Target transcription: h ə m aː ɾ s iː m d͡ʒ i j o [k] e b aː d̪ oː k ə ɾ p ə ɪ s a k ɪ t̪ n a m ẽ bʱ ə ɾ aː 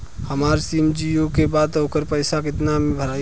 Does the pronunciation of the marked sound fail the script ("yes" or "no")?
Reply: no